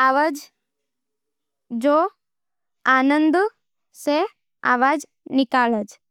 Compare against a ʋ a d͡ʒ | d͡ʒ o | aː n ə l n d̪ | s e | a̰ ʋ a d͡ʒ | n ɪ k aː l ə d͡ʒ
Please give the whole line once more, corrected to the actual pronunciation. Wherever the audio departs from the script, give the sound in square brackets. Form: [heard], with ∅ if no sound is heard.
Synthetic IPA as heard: a ʋ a d͡ʒ | d͡ʒ o | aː n ə [∅] n d̪ | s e | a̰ ʋ a d͡ʒ | n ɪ k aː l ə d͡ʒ